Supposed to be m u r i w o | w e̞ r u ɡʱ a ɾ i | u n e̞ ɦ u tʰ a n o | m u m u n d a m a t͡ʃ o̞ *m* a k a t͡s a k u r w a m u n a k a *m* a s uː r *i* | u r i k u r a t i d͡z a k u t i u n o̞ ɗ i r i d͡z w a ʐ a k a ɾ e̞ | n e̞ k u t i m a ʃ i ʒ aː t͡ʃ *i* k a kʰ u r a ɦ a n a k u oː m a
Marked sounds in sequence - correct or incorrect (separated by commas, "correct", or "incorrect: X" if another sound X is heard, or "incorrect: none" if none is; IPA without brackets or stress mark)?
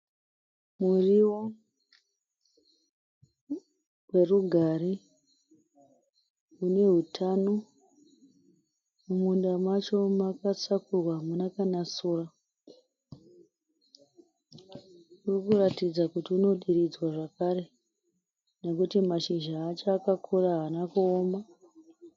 correct, incorrect: n, incorrect: a, incorrect: a